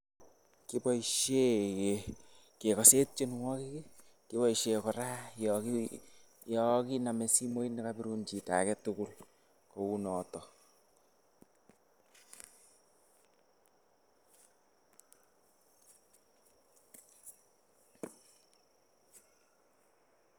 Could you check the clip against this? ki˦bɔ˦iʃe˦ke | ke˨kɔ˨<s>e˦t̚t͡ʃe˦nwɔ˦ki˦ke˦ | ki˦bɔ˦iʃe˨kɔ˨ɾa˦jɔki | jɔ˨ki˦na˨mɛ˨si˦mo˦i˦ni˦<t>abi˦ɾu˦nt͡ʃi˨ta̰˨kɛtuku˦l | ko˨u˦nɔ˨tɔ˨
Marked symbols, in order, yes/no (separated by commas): yes, no